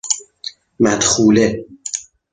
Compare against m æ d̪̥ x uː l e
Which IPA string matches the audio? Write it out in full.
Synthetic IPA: m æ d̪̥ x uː l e